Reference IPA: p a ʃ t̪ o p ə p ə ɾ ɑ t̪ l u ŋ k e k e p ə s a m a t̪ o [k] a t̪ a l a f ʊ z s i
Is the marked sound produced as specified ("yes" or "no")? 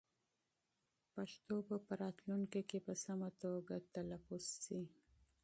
no